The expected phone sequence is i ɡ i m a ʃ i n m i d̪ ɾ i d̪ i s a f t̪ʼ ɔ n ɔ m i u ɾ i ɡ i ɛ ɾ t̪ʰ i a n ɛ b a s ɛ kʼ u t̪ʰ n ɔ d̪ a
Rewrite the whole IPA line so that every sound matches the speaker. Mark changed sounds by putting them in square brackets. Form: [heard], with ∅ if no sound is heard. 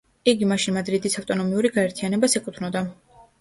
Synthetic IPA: i ɡ i m a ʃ i n m [a] d̪ ɾ i d̪ i s a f t̪ʼ ɔ n ɔ m i u ɾ i ɡ [a] ɛ ɾ t̪ʰ i a n ɛ b a s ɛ kʼ u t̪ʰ n ɔ d̪ a